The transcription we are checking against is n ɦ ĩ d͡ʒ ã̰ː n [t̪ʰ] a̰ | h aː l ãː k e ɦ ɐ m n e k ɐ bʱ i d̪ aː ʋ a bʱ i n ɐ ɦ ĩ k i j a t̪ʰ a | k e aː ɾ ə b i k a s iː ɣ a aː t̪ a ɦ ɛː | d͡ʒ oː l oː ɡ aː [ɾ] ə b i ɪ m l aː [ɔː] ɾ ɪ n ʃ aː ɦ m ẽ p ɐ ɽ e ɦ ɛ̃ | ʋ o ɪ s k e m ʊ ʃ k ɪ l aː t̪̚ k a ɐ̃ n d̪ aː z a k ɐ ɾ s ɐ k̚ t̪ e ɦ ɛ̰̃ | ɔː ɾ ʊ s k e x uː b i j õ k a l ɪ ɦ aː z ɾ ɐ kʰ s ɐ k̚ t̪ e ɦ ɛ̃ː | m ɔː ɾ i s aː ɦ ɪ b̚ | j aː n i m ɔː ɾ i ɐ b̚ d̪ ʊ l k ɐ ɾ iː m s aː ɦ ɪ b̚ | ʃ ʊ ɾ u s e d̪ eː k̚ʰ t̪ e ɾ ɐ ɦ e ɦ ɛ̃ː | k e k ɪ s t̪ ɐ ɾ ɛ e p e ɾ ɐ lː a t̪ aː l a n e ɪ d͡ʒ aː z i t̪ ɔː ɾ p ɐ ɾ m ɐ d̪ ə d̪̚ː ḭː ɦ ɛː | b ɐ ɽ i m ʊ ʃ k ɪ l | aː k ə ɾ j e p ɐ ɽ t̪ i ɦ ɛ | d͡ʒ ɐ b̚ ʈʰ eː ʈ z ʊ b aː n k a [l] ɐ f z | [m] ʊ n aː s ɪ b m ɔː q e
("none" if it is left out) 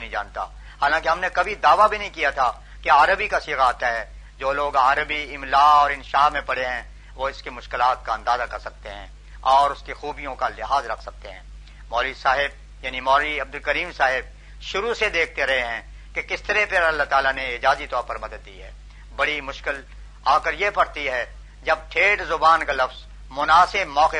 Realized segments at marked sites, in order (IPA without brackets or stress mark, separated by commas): t̪, ɾ, ɔː, l, m